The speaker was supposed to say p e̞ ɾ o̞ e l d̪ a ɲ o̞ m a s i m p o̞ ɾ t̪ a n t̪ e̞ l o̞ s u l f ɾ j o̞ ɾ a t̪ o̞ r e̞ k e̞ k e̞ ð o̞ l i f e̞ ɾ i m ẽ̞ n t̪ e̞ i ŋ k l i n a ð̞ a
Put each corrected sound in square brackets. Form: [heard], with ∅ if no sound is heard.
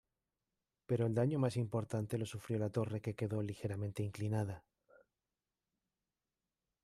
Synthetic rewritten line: p e̞ ɾ o̞ e l d̪ a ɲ o̞ m a s i m p o̞ ɾ t̪ a n t̪ e̞ l o̞ s u [∅] f ɾ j o̞ [l] a t̪ o̞ r e̞ k e̞ k e̞ ð o̞ l i [x] e̞ ɾ [a] m ẽ̞ n t̪ e̞ i ŋ k l i n a ð̞ a